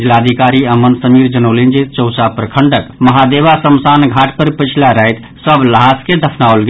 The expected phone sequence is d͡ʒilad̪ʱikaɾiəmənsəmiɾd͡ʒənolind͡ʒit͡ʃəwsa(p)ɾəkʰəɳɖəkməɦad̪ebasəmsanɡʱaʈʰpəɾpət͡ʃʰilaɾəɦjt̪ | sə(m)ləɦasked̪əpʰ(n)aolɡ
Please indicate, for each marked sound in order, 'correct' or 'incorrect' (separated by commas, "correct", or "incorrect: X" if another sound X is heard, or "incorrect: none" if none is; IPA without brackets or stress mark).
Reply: correct, incorrect: b, correct